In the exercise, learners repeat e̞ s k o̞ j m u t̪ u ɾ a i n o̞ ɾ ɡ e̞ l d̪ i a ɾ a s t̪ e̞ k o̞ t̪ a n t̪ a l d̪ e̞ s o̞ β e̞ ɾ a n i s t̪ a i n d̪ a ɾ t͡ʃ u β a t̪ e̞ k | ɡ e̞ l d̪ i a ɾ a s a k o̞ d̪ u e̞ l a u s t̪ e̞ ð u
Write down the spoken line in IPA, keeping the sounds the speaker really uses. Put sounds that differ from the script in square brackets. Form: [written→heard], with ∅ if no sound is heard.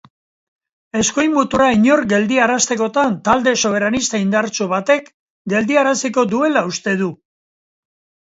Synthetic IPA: e̞ s k o̞ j m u t̪ u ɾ a i [n→ɲ] o̞ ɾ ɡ e̞ l d̪ i a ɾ a s t̪ e̞ k o̞ t̪ a n t̪ a l d̪ e̞ s o̞ β e̞ ɾ a n i s t̪ a i n d̪ a ɾ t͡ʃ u β a t̪ e̞ k | ɡ e̞ l d̪ i a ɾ a s [a→i] k o̞ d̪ u e̞ l a u s t̪ e̞ ð u